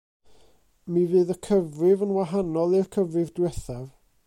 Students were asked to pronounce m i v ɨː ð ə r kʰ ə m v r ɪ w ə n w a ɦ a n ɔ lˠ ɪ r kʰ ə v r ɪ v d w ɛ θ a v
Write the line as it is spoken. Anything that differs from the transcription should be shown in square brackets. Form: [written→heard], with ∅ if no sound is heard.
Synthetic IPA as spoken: m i v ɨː ð ə [r→∅] kʰ ə [m→∅] v r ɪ [w→v] ə n w a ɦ a n ɔ lˠ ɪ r kʰ ə v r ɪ v d w ɛ θ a v